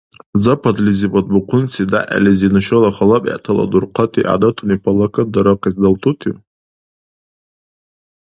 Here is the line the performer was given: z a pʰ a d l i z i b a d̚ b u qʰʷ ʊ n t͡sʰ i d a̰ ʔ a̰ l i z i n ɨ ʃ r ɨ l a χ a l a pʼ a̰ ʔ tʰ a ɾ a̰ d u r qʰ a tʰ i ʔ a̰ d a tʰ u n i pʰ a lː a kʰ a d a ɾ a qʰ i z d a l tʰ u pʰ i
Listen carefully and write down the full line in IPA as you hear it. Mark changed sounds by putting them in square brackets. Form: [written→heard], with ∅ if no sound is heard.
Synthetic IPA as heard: z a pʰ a d l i z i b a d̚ b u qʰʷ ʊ n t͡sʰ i d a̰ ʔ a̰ l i z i n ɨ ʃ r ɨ l a χ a l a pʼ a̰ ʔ tʰ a [ɾ→l] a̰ d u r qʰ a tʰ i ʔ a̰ d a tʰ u n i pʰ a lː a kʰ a d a ɾ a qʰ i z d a l tʰ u [pʰ→tʰ] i